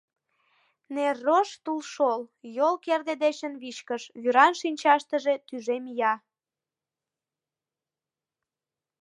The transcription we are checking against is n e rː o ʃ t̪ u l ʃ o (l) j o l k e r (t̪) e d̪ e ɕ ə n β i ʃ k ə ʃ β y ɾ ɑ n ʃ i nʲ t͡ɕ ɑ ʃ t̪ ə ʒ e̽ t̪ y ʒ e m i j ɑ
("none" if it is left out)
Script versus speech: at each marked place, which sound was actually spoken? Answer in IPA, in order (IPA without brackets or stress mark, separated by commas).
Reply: l, d̪